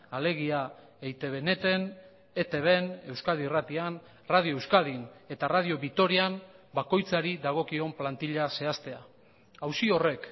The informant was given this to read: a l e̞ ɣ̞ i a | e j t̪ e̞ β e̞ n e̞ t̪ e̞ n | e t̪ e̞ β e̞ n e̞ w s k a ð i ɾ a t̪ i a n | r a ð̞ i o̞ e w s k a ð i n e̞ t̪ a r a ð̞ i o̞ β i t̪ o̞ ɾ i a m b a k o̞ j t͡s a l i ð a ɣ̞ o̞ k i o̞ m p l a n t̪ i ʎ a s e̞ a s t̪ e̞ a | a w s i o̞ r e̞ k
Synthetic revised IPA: a l e̞ ɣ̞ i a | e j t̪ e̞ β e̞ n e̞ t̪ e̞ n | e t̪ e̞ β e̞ n e̞ w s k a ð i r a t̪ i a n | r a ð̞ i o̞ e w s k a ð i n e̞ t̪ a r a ð̞ i o̞ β i t̪ o̞ ɾ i a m b a k o̞ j t͡s a ɾ i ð a ɣ̞ o̞ k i o̞ m p l a n t̪ i ʎ a s e̞ a s t̪ e̞ a | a w s i o̞ r e̞ k